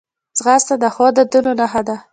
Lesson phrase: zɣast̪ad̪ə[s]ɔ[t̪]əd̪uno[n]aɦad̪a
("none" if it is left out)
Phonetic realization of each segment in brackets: x, d̪, n

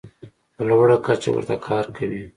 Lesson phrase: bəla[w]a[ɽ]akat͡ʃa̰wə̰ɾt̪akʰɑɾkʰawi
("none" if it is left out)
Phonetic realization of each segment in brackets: w, ɽ

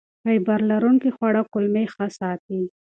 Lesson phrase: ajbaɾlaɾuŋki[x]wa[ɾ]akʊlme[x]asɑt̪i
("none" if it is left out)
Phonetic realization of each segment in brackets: x, ɽ, x

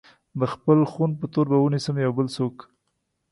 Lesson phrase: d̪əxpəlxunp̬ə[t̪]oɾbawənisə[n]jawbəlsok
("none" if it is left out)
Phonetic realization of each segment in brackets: t̪, m

